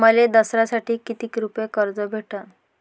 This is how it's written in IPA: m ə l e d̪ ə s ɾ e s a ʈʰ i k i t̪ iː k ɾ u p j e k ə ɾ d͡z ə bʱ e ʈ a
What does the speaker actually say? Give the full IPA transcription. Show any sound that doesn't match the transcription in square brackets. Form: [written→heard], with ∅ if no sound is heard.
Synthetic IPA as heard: m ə l e d̪ ə s ɾ [e→a] s a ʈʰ [i→iː] k i t̪ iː k ɾ u p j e k ə ɾ d͡z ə bʱ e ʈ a